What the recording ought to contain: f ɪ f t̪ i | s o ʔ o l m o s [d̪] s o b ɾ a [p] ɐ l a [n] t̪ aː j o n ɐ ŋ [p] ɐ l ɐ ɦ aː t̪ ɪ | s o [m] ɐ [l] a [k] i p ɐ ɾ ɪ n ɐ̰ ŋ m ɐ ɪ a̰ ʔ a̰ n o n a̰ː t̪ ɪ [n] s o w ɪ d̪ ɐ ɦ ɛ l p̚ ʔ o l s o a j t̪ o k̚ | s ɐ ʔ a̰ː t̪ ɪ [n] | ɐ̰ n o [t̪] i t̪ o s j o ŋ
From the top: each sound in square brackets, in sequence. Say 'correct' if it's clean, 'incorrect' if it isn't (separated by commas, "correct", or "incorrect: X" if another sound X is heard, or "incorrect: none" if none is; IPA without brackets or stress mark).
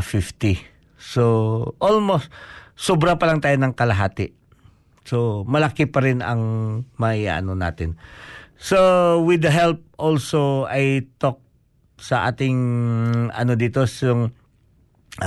incorrect: t̪, correct, incorrect: ŋ, incorrect: k, correct, correct, correct, correct, incorrect: ŋ, incorrect: d̪